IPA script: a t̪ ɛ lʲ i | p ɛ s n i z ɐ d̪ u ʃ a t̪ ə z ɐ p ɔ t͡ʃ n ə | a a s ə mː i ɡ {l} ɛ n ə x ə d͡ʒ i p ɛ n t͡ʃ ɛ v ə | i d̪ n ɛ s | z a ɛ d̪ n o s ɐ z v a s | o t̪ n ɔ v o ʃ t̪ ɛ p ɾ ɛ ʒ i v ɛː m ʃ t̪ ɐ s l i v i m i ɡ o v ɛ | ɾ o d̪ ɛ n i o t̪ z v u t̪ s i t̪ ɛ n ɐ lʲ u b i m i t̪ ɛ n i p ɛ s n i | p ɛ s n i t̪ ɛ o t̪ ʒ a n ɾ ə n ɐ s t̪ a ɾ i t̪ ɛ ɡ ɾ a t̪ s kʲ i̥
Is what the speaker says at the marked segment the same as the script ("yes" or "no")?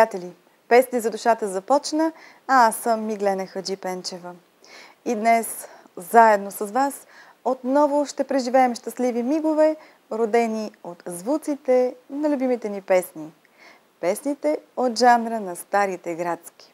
yes